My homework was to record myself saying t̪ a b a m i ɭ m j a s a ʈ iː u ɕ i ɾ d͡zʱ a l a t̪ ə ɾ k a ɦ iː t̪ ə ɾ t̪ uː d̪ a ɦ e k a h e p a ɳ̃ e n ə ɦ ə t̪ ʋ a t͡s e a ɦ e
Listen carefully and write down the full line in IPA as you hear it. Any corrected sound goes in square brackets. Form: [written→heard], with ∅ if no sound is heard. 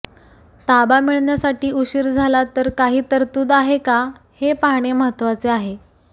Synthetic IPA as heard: t̪ a b a m i ɭ [m→ɳ] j a s a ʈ iː u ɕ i ɾ d͡zʱ a l a t̪ ə ɾ k a ɦ iː t̪ ə ɾ t̪ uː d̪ a ɦ e k a h e p a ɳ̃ e [n→m] ə ɦ ə t̪ ʋ a t͡s e a ɦ e